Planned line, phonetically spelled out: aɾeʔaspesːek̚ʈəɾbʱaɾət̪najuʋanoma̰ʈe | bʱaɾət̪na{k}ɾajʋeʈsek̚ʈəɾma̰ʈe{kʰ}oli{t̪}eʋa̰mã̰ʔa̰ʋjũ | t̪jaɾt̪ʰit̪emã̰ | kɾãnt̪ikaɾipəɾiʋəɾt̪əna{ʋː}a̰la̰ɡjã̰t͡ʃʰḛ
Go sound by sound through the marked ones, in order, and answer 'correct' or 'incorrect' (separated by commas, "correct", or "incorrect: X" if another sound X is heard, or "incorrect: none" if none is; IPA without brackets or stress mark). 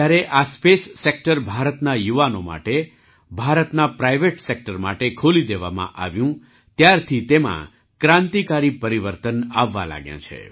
incorrect: p, correct, incorrect: d̪, correct